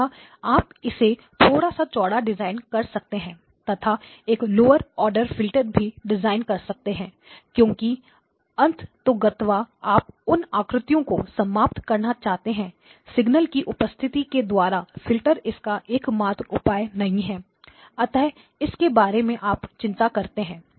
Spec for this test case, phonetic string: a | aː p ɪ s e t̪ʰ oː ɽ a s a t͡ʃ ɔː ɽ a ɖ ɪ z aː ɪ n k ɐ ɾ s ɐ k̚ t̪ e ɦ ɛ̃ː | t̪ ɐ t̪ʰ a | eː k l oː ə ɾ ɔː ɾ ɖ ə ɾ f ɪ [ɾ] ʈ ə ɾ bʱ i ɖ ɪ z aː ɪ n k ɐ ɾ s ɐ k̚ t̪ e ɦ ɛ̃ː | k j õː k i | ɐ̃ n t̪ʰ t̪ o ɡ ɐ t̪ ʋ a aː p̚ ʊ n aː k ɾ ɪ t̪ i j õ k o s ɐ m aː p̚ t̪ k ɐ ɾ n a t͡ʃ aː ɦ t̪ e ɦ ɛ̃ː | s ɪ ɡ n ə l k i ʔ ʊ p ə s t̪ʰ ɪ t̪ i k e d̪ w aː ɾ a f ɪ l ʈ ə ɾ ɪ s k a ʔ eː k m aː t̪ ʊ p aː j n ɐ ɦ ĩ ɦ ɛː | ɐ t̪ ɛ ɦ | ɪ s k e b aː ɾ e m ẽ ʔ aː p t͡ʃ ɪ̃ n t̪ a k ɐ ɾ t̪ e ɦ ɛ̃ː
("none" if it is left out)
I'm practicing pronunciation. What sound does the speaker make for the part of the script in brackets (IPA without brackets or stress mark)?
l